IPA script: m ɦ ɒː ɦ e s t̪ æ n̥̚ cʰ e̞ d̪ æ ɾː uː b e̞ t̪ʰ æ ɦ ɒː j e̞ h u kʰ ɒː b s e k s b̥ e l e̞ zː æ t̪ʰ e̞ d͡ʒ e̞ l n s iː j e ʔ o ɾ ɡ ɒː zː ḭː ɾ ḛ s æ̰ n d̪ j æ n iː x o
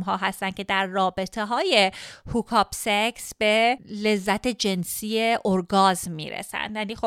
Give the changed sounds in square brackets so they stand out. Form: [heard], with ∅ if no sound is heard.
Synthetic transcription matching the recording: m ɦ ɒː ɦ [æ] s t̪ æ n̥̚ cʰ e̞ d̪ æ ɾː [ɒː] b e̞ t̪ʰ [e] ɦ ɒː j e̞ h u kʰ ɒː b s e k s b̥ e l e̞ zː æ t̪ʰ e̞ d͡ʒ e̞ [∅] n s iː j e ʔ o ɾ ɡ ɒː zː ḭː ɾ ḛ s æ̰ n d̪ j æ n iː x o